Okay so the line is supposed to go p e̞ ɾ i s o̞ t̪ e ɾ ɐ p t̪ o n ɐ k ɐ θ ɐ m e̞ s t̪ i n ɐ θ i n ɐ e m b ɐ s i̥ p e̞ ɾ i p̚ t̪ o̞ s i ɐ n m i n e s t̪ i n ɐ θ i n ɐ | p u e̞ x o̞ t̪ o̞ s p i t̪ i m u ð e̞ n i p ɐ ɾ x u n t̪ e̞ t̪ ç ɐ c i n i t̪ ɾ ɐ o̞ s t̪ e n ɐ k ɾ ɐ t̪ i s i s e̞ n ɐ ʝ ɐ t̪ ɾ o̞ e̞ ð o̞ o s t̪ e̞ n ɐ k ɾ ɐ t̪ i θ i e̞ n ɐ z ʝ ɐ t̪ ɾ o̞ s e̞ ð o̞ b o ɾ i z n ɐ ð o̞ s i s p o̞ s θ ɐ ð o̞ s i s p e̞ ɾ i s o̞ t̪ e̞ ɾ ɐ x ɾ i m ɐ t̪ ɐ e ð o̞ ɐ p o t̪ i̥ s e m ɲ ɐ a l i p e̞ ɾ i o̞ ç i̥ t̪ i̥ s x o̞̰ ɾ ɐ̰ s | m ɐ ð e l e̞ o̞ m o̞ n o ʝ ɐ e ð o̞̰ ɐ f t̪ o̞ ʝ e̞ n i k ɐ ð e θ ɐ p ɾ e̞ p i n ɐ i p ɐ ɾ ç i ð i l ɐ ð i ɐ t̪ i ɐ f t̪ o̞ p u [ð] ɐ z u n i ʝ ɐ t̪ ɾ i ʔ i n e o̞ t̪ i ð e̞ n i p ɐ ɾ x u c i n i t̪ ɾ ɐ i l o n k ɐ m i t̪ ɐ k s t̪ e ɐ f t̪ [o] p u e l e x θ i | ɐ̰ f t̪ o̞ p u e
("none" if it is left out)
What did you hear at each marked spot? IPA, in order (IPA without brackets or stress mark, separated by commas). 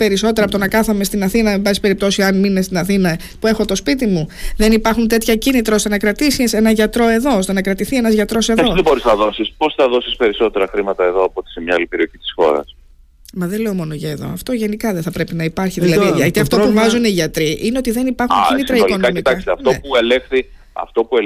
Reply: v, o